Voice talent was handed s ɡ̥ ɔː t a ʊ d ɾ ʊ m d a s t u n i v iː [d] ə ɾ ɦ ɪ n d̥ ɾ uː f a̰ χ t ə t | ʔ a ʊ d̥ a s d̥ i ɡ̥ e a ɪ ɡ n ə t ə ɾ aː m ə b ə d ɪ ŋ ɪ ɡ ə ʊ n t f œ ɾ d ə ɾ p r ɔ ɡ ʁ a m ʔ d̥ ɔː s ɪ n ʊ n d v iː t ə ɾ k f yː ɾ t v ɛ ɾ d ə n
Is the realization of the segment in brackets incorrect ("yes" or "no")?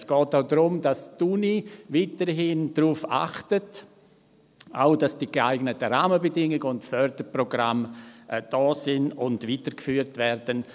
yes